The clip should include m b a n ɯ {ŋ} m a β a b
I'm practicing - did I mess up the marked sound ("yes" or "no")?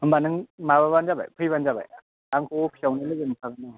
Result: no